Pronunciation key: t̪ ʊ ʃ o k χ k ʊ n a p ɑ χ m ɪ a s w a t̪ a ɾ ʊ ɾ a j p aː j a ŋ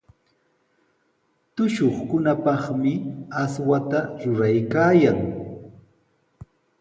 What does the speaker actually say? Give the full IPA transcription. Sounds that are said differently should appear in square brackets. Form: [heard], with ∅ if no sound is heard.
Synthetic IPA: t̪ ʊ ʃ o [∅] χ k ʊ n a p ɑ χ m ɪ a s w a t̪ a ɾ ʊ ɾ a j [k] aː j a ŋ